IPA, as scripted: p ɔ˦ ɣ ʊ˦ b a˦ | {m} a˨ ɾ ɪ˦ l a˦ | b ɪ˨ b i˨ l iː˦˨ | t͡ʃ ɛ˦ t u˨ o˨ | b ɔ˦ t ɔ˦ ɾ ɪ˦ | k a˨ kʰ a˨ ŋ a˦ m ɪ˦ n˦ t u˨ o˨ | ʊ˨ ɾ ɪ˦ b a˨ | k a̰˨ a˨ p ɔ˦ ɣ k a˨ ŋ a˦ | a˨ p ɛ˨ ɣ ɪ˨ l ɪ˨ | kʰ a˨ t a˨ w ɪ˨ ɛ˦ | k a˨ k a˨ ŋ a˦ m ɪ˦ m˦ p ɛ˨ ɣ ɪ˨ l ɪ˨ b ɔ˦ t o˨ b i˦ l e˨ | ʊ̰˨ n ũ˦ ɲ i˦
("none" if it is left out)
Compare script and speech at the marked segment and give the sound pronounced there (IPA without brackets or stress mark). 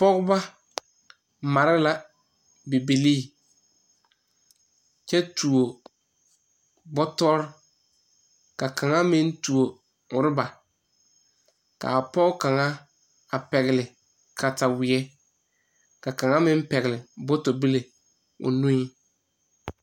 m